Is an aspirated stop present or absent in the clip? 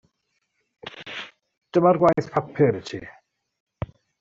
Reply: present